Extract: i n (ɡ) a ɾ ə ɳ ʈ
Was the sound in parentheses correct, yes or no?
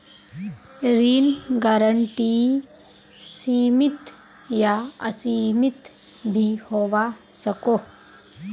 yes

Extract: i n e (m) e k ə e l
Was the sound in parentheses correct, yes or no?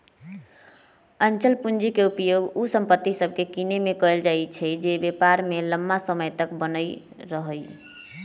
yes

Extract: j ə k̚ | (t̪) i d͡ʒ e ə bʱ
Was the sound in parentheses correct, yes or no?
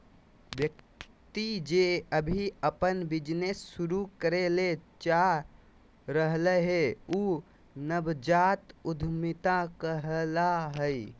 yes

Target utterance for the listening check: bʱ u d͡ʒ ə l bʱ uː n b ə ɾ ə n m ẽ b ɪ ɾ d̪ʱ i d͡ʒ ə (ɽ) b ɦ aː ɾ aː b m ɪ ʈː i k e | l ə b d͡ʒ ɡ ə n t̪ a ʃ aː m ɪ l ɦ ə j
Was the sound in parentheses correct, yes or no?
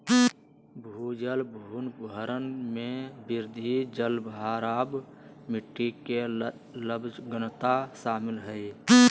no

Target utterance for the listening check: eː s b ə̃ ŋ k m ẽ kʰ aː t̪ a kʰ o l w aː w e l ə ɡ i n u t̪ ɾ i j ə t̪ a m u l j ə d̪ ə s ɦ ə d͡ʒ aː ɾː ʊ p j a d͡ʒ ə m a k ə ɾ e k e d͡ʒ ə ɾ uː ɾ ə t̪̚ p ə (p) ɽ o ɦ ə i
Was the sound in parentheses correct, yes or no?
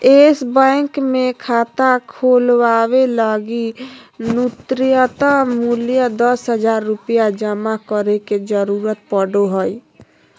no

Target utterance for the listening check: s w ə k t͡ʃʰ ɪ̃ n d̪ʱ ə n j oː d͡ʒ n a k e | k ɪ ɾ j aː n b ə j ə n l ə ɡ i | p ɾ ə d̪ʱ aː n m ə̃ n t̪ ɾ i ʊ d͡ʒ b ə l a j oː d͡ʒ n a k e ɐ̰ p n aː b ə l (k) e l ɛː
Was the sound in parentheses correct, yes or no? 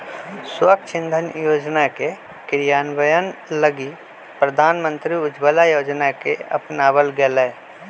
no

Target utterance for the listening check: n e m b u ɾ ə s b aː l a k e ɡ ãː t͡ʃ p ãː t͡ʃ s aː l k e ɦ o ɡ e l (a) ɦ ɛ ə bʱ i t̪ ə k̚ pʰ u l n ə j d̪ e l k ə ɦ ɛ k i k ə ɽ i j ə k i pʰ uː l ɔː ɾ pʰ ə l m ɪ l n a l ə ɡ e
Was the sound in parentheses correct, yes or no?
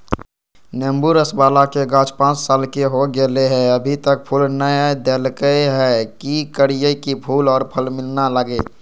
no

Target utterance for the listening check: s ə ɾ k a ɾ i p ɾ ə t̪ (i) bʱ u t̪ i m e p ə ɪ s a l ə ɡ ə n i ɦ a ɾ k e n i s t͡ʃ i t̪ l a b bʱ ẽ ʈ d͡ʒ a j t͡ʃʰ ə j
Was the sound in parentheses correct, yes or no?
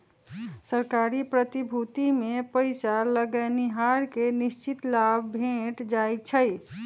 yes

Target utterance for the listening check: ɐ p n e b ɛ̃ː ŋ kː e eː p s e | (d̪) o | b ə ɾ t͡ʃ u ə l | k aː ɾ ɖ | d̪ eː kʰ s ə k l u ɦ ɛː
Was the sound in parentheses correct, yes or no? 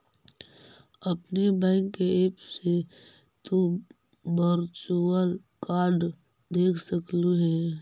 no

